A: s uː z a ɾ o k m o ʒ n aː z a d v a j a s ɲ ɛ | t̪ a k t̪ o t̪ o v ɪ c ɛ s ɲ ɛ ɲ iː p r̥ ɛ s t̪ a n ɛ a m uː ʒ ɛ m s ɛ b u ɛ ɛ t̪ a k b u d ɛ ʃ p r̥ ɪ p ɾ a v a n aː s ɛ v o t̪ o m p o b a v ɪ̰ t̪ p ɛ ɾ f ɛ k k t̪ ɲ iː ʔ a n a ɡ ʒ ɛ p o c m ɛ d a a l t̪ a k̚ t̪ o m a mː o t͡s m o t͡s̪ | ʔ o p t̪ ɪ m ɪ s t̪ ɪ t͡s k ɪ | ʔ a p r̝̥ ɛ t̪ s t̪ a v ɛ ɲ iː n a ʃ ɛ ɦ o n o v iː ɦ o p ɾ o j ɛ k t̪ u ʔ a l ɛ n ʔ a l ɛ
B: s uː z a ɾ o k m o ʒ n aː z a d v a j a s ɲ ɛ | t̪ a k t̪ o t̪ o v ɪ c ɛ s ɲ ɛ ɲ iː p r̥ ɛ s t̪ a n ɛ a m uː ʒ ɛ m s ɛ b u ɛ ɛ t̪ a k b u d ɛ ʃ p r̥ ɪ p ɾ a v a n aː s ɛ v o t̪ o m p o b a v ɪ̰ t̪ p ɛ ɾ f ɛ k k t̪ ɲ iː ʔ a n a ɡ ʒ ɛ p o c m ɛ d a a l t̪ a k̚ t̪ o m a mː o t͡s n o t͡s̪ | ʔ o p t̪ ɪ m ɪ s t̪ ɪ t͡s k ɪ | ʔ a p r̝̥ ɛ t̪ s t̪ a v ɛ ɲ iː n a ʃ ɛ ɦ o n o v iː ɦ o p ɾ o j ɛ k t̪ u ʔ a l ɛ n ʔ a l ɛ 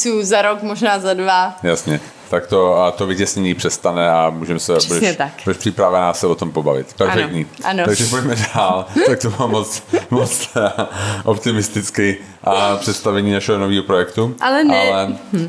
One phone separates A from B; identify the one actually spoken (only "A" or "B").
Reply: A